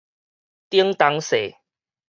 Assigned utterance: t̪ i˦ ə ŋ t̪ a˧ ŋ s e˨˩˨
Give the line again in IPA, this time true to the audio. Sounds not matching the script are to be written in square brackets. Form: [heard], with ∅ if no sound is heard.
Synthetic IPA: t̪ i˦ ə ŋ t̪ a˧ ŋ s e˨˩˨